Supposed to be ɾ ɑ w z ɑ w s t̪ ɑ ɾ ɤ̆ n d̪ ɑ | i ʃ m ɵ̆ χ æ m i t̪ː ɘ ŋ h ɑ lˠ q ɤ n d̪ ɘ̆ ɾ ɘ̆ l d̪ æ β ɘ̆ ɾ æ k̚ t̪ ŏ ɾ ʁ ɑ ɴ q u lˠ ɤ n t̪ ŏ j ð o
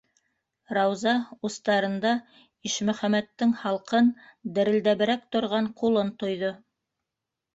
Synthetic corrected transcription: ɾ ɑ w z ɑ u s t̪ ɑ ɾ ɤ̆ n d̪ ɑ | i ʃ m ɵ̆ χ æ m æ t̪ː ɘ ŋ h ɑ lˠ q ɤ n d̪ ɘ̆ ɾ ɘ̆ l d̪ æ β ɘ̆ ɾ æ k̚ t̪ ŏ ɾ ʁ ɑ ɴ q u lˠ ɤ n t̪ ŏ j ð o

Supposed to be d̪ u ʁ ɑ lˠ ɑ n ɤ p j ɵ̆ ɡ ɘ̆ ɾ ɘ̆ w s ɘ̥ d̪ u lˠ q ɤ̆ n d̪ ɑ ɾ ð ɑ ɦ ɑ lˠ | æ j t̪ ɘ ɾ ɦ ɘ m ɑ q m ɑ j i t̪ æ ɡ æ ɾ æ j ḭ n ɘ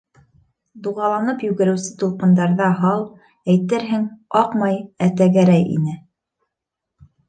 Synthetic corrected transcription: d̪ u ʁ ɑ lˠ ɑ n ɤ p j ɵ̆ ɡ ɘ̆ ɾ ɘ̆ w s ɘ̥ t̪ u lˠ q ɤ̆ n d̪ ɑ ɾ ð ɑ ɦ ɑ lˠ | æ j t̪ ɘ ɾ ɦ ɘ ŋ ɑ q m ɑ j æ t̪ æ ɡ æ ɾ æ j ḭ n ɘ

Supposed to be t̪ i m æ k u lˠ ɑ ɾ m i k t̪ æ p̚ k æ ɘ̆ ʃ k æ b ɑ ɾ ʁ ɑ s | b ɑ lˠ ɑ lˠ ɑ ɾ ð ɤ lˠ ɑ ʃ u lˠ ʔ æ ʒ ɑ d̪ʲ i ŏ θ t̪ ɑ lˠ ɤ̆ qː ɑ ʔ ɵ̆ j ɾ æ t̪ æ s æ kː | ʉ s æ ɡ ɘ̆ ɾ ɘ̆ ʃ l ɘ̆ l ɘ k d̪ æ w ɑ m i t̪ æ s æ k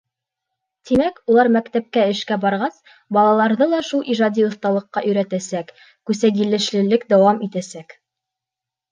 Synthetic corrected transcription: t̪ i m æ k u lˠ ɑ ɾ m æ k t̪ æ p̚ k æ ɘ̆ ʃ k æ b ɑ ɾ ʁ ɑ s | b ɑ lˠ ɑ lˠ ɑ ɾ ð ɤ lˠ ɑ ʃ u lˠ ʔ i ʒ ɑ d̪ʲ i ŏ θ t̪ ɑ lˠ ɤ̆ qː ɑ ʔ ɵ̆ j ɾ æ t̪ æ s æ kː | ʉ s æ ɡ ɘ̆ l ɘ̆ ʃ l ɘ̆ l ɘ k d̪ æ w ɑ m i t̪ æ s æ k

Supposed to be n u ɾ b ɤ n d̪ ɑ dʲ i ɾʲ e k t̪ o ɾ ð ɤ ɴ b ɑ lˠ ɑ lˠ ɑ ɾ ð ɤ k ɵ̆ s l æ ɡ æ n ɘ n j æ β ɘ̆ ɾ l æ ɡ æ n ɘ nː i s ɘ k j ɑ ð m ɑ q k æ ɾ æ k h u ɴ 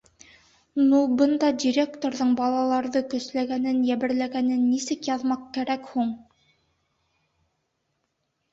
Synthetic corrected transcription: n u b ɤ n d̪ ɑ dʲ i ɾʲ e k t̪ o ɾ ð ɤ ɴ b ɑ lˠ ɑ lˠ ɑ ɾ ð ɤ k ɵ̆ s l æ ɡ æ n ɘ n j æ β ɘ̆ ɾ l æ ɡ æ n ɘ nː i s ɘ k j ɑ ð m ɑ q k æ ɾ æ k h u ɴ

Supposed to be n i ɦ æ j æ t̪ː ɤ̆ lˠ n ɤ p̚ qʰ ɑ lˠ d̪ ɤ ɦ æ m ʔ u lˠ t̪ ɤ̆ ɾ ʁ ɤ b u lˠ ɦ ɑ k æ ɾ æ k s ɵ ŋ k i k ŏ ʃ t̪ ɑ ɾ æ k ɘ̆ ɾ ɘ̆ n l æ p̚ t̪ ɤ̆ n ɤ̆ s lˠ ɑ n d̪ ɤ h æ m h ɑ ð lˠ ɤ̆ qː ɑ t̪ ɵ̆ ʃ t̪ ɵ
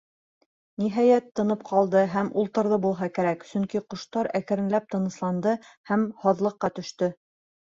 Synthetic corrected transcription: n i ɦ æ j æ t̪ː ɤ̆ n ɤ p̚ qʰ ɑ lˠ d̪ ɤ ɦ æ m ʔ u lˠ t̪ ɤ̆ ɾ ð ɤ b u lˠ ɦ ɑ k æ ɾ æ k s ɵ ŋ k i q ŏ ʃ t̪ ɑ ɾ æ k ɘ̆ ɾ ɘ̆ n l æ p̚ t̪ ɤ̆ n ɤ̆ s lˠ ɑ n d̪ ɤ h æ m h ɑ ð lˠ ɤ̆ qː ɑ t̪ ɵ̆ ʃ t̪ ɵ

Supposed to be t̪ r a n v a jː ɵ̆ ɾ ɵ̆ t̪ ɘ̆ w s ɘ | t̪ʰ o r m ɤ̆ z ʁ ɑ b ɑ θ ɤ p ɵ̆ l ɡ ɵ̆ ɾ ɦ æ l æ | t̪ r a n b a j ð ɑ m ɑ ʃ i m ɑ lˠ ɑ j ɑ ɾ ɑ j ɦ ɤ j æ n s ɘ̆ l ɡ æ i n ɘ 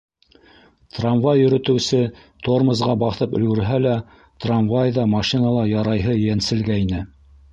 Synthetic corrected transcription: t̪ r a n v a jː ɵ̆ ɾ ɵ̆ t̪ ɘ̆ w s ɘ | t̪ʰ o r m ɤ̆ z ʁ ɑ b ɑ θ ɤ p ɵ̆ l ɡ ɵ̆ ɾ ɦ æ l æ | t̪ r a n v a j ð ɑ m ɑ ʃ i n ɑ lˠ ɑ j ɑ ɾ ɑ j ɦ ɤ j æ n s ɘ̆ l ɡ æ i n ɘ

